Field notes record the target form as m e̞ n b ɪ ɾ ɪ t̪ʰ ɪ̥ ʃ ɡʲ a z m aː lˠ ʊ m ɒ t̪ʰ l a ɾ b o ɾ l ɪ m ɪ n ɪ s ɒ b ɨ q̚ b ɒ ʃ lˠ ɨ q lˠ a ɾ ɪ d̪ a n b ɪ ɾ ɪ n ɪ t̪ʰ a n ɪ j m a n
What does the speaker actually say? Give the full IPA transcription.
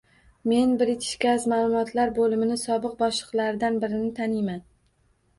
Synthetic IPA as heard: m e̞ n b ɪ ɾ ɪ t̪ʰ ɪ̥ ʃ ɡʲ a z m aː lˠ ʊ m ɒ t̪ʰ l a ɾ b o l ɪ m ɪ n ɪ s ɒ b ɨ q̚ b ɒ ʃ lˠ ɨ q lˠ a ɾ ɪ d̪ a n b ɪ ɾ ɪ n ɪ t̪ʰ a n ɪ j m a n

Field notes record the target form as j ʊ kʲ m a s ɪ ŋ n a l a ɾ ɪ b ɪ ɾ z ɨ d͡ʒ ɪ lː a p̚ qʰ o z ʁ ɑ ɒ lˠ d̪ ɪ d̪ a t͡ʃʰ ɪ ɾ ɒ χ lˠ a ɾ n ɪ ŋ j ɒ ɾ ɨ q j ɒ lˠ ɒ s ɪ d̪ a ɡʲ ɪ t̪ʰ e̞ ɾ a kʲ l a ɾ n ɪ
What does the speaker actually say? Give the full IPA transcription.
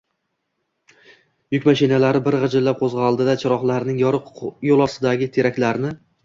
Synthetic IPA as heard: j ʊ kʲ m a ʃ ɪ n a l a ɾ ɪ b ɪ ɾ ʁ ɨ d͡ʒ ɪ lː a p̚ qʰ o z ʁ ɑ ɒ lˠ d̪ ɪ d̪ a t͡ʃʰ ɪ ɾ ɒ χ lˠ a ɾ n ɪ ŋ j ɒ ɾ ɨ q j o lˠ ɒ s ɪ d̪ a ɡʲ ɪ t̪ʰ e̞ ɾ a kʲ l a ɾ n ɪ

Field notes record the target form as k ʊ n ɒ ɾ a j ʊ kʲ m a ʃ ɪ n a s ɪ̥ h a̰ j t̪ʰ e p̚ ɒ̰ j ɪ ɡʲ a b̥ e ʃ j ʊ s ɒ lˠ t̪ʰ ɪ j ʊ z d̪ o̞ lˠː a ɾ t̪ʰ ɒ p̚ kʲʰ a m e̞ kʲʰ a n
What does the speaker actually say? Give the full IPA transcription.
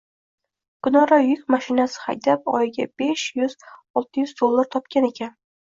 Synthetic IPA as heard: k ʊ n ɒ ɾ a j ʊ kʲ m a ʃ ɪ n a s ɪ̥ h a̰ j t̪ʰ a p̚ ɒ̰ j ɪ ɡʲ a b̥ e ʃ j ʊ z ɒ lˠ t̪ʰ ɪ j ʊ z d̪ o̞ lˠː a ɾ t̪ʰ ɒ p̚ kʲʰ a n e̞ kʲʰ a n

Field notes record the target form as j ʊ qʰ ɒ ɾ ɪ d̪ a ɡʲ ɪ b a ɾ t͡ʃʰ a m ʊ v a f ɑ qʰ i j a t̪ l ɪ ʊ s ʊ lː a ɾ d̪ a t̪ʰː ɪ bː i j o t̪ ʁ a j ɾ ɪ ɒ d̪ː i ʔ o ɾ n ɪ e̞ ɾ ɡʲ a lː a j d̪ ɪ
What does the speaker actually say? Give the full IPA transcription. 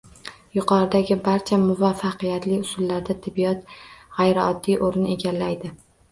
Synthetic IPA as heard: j ʊ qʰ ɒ ɾ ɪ d̪ a ɡʲ ɪ b a ɾ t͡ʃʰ a m ʊ v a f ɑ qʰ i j a t̪ l ɪ ʊ s ʊ lː a ɾ d̪ a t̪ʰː ɪ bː i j ɒ t̪ ʁ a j ɾ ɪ ɒ d̪ː i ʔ o ɾ n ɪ e̞ ɡʲ a lː a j d̪ ɪ

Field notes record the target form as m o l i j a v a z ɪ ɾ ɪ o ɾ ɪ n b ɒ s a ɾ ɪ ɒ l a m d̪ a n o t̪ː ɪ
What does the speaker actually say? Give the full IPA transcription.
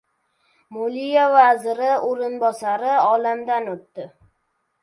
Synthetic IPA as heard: m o l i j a v a z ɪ ɾ ɪ o ɾ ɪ n b ɒ s a ɾ ɪ ɒ l a m d̪ a n o t̪ː ɪ

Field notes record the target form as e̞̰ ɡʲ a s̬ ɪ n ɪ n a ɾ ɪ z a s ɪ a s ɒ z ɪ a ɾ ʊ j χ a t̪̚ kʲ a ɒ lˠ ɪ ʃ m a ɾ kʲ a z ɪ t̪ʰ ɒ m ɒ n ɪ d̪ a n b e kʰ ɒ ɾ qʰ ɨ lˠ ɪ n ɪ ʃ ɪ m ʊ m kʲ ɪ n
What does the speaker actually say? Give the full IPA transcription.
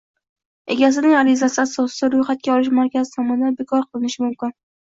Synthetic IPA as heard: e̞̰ ɡʲ a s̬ ɪ n ɪ ŋ a ɾ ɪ z a s ɪ a s ɒ s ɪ a ɾ ʊ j χ a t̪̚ kʲ a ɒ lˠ ɪ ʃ m a ɾ kʲ a z ɪ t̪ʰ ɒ m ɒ n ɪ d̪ a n b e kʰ ɒ ɾ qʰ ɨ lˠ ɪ n ɪ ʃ ɪ m ʊ m kʲ ɪ n

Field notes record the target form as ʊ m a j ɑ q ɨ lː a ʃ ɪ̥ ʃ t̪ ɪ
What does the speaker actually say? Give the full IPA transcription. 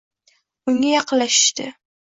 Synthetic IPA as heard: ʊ ŋ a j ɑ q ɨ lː a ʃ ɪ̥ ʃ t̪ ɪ

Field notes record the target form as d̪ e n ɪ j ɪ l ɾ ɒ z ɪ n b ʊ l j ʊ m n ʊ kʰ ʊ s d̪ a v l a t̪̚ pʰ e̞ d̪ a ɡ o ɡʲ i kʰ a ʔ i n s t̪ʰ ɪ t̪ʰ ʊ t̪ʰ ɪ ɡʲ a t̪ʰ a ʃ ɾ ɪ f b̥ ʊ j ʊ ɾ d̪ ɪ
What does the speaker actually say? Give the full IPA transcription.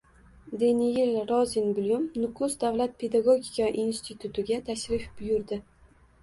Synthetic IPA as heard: d̪ e n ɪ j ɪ l ɾ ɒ z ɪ n b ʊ l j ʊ m n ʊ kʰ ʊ s d̪ a v l a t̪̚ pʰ e̞ d̪ a ɡ o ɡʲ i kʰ a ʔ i n s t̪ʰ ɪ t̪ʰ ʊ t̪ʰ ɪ ɡʲ a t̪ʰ a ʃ ɾ ɪ f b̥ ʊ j ʊ ɾ d̪ ɪ

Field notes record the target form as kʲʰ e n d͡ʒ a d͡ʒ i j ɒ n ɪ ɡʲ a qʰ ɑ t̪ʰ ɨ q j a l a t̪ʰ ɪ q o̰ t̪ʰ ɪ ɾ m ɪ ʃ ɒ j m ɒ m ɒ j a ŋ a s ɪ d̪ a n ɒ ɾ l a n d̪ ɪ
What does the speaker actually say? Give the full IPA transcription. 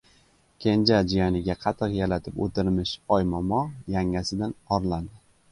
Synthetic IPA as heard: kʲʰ e n d͡ʒ a d͡ʒ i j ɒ n ɪ ɡʲ a qʰ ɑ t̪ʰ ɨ q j a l a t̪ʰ ɪ p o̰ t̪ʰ ɪ ɾ m ɪ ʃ ɒ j m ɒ m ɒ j a ŋ a s ɪ d̪ a n ɒ ɾ l a n d̪ ɪ

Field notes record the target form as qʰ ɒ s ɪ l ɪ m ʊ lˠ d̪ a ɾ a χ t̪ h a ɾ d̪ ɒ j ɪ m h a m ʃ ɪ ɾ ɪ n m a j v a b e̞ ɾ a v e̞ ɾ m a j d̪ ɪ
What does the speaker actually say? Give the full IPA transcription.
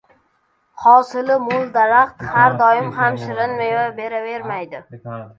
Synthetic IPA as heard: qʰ ɒ s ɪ l ɪ m ʊ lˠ d̪ a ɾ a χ t̪ h a ɾ d̪ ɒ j ɪ m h a m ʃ ɪ ɾ ɪ n m a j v a b e̞ ɾ a v e̞ ɾ m a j d̪ ɪ

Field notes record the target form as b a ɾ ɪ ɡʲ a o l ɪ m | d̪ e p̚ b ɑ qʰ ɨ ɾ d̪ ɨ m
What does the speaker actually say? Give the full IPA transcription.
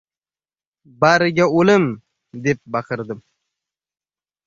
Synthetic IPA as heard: b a ɾ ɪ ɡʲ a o l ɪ m | d̪ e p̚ b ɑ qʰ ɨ ɾ d̪ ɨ m

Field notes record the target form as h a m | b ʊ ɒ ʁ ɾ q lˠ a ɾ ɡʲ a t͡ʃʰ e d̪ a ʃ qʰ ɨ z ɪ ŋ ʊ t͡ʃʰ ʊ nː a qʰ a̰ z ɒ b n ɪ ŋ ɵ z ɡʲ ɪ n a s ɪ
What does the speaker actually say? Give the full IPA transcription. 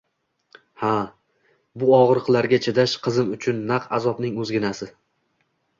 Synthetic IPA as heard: h a | b ʊ ɒ ʁ ɾ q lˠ a ɾ ɡʲ a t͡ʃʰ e d̪ a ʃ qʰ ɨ z ɪ m ʊ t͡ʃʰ ʊ nː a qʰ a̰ z ɒ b n ɪ ŋ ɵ z ɡʲ ɪ n a s ɪ

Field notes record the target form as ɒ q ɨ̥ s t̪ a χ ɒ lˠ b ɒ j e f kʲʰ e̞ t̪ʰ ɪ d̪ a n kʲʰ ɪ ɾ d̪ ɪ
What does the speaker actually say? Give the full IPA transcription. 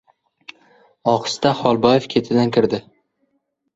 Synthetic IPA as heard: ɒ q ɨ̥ s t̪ a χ ɒ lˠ b ɒ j e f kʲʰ e̞ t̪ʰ ɪ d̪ a n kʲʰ ɪ ɾ d̪ ɪ

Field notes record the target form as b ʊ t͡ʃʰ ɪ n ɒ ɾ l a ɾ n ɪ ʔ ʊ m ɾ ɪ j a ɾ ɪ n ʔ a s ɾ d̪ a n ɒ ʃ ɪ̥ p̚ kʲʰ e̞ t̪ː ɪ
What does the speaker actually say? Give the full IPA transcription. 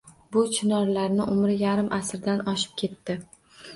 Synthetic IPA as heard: b ʊ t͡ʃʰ ɪ n ɒ ɾ l a ɾ n ɪ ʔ ʊ m ɾ ɪ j a ɾ ɪ m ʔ a s ɾ d̪ a n ɒ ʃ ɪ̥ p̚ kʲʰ e̞ t̪ː ɪ

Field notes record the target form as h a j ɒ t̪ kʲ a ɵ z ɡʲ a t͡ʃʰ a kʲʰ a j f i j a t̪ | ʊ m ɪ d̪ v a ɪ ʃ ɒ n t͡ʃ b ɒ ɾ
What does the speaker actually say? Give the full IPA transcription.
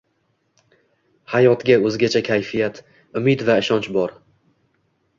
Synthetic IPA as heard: h a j ɒ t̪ ɡʲ a ɵ z ɡʲ a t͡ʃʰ a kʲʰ a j f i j a t̪ | ʊ m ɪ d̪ v a ɪ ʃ ɒ n t͡ʃ b ɒ ɾ

